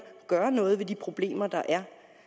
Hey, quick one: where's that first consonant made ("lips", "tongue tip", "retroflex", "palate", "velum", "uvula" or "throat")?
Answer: velum